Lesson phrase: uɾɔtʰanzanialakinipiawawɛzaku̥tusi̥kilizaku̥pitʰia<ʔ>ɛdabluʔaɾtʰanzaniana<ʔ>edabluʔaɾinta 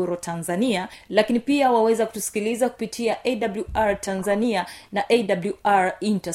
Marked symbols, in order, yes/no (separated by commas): yes, yes